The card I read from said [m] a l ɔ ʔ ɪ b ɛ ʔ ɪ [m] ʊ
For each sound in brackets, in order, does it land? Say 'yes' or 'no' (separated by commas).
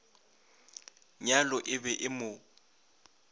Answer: no, yes